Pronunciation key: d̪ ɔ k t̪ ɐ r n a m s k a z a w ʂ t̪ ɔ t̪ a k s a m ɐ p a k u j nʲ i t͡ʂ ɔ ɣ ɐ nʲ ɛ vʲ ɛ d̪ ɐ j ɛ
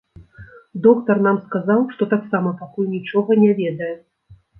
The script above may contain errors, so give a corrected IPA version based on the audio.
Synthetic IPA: d̪ ɔ k t̪ ɐ r n a m s k a z a w ʂ t̪ ɔ t̪ a k s a m ɐ p a k u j nʲ i t͡ʂ ɔ ɣ ɐ nʲ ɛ vʲ ɛ d̪ ɐ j ɛ